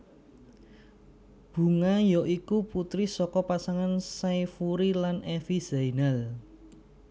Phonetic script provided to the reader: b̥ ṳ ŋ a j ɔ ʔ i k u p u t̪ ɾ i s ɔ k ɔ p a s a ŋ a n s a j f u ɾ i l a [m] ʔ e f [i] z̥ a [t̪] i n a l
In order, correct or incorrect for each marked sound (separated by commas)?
incorrect, correct, incorrect